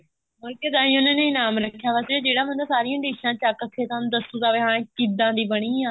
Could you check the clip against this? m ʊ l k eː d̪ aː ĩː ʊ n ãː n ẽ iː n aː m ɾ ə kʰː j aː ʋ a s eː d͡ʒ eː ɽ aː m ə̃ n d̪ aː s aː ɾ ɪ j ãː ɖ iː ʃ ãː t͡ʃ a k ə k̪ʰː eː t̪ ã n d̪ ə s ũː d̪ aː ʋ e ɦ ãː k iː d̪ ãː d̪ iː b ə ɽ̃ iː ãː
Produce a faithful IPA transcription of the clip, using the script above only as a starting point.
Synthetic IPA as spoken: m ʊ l k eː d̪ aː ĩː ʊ n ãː n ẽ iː n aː m ɾ ə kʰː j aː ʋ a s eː d͡ʒ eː ɽ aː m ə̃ n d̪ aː s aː ɾ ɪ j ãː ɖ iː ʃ ãː t͡ʃ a k ə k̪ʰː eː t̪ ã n d̪ ə s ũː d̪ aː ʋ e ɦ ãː k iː d̪ ãː d̪ iː b ə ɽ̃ iː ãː

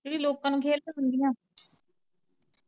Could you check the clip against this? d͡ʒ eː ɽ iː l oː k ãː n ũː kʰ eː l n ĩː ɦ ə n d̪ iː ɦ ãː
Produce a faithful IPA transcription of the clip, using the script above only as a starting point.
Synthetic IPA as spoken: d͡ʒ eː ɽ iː l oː k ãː n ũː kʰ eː l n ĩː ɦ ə n d̪ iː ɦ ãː

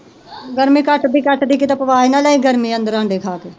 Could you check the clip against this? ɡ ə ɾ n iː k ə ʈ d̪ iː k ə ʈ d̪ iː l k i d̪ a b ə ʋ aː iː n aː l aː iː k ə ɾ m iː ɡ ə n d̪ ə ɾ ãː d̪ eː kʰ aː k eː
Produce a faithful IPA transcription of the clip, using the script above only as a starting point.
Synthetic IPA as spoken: ɡ ə ɾ m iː k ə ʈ d̪ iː k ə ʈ d̪ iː k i t̪ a p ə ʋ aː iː n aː l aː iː ɡ ə ɾ m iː ə n d̪ ə ɾ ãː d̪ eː kʰ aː k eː

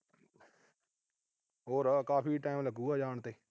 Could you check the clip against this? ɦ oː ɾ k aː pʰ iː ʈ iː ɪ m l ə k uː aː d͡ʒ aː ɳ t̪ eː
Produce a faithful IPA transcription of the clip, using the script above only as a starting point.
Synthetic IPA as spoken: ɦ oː ɾ k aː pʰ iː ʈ aː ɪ m l ə ɡ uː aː d͡ʒ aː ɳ t̪ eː

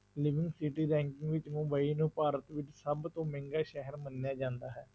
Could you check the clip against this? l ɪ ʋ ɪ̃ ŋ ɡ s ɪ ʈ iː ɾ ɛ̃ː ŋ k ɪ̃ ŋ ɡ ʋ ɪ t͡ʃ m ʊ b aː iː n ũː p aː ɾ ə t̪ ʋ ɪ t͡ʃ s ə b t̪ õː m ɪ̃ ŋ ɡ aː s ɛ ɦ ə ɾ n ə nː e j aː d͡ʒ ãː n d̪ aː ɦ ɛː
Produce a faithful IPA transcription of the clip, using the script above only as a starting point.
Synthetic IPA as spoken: l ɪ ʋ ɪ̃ ŋ ɡ s ɪ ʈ iː ɾ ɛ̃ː ŋ k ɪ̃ ŋ ɡ ʋ ɪ t͡ʃ m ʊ b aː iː n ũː p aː ɾ ə t̪ ʋ ɪ t͡ʃ s ə b t̪ õː m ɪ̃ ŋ ɡ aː ʃ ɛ ɦ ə ɾ m ə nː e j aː d͡ʒ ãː n d̪ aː ɦ ɛː

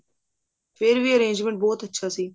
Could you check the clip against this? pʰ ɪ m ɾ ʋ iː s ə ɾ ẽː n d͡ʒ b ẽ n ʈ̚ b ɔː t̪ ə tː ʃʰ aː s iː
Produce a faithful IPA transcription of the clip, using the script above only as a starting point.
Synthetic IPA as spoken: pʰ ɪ ɾ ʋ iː ə ɾ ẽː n d͡ʒ m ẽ ɳ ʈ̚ b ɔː t̪ ə tː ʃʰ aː s iː

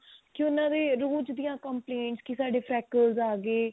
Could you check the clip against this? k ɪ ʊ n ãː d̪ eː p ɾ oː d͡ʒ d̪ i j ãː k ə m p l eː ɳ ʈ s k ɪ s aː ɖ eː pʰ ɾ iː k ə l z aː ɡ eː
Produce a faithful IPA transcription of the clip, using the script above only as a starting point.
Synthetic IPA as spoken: k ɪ ʊ n ãː d̪ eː ɾ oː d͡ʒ d̪ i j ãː k ə m p l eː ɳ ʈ s k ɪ s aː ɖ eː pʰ ɾ ɛː k ə l z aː ɡ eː

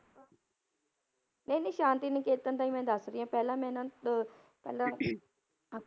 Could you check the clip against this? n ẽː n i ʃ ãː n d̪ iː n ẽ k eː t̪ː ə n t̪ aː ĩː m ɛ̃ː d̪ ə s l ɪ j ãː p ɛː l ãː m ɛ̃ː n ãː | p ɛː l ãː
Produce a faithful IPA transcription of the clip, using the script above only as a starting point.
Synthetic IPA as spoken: n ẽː n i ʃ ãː n t̪ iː n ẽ k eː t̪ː ə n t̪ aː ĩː m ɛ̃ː d̪ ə s ɾ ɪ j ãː p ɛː l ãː m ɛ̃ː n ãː | p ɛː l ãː

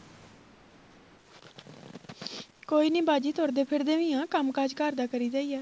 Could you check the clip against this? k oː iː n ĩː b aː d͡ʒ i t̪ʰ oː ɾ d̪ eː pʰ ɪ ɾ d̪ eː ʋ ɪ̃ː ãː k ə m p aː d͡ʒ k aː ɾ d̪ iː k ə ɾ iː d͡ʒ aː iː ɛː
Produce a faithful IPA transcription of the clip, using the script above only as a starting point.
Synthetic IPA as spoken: k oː iː n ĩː b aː d͡ʒ iː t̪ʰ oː ɾ d̪ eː pʰ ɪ ɾ d̪ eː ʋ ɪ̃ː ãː k ə m k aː d͡ʒ k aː ɾ d̪ aː k ə ɾ iː d͡ʒ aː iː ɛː

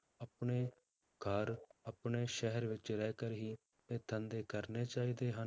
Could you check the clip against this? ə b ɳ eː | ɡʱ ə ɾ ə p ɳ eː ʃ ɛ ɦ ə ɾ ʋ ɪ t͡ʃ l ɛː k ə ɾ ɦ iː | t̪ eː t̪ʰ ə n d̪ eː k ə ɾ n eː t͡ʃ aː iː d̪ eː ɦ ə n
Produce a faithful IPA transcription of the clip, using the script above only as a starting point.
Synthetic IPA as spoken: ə p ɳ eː | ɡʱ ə ɾ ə p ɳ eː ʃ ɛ ɦ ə ɾ ʋ ɪ t͡ʃ ɾ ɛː k ə ɾ ɦ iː | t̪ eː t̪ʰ ə n d̪ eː k ə ɾ n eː t͡ʃ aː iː d̪ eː ɦ ə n

